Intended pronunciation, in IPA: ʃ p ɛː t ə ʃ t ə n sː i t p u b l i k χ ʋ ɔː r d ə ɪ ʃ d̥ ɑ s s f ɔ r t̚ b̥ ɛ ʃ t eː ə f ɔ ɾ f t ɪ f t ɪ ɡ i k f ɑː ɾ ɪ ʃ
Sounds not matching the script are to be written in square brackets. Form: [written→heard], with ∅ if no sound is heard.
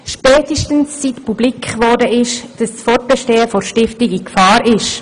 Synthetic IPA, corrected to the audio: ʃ p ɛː t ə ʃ t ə n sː i t p u b l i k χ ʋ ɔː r d ə ɪ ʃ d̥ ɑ s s f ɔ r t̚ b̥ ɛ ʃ t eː ə f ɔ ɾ [f→ʃ] t ɪ f t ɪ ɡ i k f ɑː ɾ ɪ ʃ